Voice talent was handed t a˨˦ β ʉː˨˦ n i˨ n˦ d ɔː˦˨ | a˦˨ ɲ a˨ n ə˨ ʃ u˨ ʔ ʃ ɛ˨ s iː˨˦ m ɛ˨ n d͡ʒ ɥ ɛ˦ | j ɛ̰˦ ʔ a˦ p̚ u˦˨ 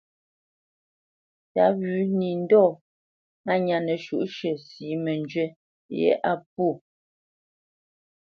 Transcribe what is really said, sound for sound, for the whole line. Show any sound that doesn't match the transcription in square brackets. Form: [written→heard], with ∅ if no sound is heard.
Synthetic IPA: t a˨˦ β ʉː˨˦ n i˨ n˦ d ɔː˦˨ | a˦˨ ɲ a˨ n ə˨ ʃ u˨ ʔ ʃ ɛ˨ s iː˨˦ m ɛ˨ n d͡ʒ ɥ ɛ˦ | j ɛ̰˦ ʔ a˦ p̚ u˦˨